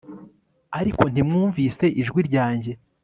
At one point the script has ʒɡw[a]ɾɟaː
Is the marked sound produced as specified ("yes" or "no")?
no